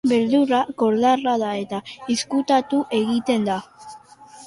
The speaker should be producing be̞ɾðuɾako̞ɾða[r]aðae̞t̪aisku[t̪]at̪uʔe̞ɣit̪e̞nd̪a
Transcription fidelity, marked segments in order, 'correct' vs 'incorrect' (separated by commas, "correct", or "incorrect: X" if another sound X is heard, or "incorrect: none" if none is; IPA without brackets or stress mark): correct, correct